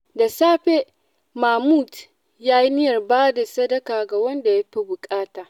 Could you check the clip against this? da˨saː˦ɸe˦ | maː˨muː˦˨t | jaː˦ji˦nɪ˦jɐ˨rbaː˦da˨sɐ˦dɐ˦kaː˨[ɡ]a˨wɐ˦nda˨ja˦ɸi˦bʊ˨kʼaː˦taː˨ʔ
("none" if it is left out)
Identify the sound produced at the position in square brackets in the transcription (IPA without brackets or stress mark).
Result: ɡ